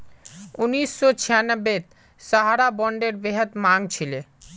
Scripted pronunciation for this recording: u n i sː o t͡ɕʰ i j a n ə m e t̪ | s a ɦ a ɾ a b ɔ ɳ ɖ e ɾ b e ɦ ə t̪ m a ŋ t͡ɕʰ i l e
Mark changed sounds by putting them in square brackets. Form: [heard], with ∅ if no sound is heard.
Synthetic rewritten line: u n i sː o t͡ɕʰ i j a n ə [b] e t̪ | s a ɦ a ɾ a b ɔ ɳ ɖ e ɾ b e ɦ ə t̪ m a ŋ t͡ɕʰ i l e